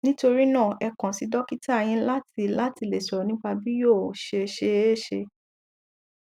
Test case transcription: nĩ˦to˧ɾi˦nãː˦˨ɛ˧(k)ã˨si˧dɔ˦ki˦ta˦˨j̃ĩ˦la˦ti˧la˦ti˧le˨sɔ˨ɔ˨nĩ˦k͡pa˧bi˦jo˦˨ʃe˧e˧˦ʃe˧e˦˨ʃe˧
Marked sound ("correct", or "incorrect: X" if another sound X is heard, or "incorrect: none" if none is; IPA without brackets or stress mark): correct